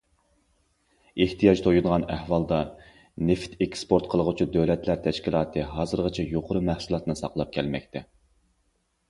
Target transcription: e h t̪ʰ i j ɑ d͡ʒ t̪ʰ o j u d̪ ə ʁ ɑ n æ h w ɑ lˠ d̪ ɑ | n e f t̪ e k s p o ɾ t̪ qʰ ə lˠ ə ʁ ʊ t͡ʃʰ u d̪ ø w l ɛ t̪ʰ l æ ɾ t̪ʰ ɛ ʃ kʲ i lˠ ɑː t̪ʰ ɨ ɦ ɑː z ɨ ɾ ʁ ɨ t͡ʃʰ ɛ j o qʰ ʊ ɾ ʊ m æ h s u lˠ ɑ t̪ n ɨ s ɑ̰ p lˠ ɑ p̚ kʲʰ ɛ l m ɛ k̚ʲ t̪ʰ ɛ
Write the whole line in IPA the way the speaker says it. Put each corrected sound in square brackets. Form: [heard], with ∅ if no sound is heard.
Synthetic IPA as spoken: e h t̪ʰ i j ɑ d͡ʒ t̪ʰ o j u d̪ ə ʁ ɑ n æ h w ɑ lˠ d̪ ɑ | n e f t̪ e k s p o ɾ t̪ qʰ ə lˠ ə ʁ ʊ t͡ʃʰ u d̪ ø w l ɛ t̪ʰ l æ ɾ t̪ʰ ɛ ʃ kʲ i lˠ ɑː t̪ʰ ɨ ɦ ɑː z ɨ ɾ ʁ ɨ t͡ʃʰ ɛ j o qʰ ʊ ɾ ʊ m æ h s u lˠ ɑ t̪ n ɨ s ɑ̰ [q] lˠ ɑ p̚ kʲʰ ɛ l m ɛ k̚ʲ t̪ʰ ɛ